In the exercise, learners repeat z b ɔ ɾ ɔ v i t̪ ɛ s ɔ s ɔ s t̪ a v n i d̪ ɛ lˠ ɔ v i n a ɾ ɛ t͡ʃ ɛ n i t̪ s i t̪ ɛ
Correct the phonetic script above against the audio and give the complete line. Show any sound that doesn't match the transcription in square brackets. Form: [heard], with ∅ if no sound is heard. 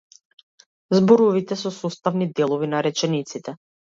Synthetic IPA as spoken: z b ɔ ɾ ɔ v i t̪ ɛ s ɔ s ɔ s t̪ a v n i d̪ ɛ lˠ ɔ v i n a ɾ ɛ t͡ʃ ɛ n i t̪ s i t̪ ɛ